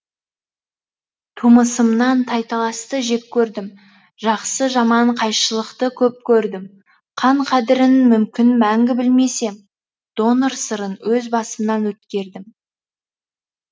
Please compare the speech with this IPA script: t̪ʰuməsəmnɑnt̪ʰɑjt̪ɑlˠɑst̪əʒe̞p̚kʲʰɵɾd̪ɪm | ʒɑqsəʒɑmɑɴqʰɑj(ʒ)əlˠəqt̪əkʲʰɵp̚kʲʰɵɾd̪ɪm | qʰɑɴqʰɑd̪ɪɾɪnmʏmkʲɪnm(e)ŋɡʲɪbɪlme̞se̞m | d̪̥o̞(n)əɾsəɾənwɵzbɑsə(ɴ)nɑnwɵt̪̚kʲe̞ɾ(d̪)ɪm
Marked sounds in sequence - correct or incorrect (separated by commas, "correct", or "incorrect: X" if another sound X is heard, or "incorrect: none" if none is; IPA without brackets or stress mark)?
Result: incorrect: ʃ, incorrect: æ, correct, incorrect: m, correct